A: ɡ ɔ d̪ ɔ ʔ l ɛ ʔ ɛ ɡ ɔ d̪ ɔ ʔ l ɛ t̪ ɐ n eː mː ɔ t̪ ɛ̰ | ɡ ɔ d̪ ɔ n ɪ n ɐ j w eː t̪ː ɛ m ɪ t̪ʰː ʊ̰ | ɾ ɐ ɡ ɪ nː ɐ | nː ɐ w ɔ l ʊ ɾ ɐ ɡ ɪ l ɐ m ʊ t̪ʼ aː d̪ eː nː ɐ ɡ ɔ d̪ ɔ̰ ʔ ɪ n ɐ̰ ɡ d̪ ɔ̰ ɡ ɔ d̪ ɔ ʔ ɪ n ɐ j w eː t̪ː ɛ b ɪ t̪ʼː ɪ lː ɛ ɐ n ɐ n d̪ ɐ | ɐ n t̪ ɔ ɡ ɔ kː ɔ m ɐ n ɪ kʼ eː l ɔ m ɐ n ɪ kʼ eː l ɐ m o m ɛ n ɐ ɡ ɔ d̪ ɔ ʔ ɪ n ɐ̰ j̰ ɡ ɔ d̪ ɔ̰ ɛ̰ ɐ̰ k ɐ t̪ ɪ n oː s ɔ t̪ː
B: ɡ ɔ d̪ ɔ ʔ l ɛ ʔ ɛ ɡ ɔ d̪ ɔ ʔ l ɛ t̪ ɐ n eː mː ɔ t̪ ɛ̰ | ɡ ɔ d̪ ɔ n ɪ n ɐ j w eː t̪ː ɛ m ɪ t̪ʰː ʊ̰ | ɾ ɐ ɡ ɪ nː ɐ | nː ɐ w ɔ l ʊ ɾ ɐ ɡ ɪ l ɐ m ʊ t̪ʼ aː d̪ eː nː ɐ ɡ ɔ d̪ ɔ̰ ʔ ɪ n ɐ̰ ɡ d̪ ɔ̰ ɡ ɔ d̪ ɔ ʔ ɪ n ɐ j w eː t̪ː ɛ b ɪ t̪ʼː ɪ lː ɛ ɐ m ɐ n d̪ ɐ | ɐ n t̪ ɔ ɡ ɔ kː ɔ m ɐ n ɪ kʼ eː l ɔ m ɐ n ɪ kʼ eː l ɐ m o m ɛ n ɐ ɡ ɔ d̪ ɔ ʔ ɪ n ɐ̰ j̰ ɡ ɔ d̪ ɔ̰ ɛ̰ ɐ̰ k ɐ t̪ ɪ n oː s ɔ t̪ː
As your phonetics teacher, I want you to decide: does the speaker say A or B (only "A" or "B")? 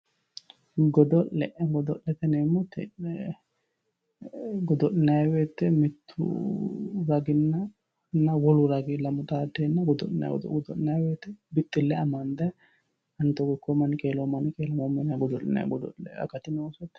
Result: B